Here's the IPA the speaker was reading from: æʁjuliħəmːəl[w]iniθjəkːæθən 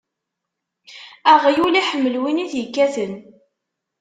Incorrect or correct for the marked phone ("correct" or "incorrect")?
correct